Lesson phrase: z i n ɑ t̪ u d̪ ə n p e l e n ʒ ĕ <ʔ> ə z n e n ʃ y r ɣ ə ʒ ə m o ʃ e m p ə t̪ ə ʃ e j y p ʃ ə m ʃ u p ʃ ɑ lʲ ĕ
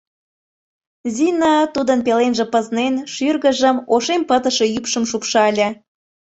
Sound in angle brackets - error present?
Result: yes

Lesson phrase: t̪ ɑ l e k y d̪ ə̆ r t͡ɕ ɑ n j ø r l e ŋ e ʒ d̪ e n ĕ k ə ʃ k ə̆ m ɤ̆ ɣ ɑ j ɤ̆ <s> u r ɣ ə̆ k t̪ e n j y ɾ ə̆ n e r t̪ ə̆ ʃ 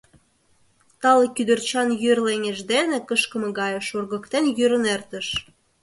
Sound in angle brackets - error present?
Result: yes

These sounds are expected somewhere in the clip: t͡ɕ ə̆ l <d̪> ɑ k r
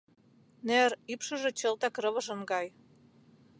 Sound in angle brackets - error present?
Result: yes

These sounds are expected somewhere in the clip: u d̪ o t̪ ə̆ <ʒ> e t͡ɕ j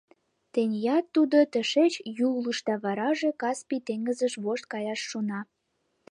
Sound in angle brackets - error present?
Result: yes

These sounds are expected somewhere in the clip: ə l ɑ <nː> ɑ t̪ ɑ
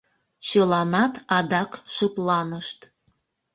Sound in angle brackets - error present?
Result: yes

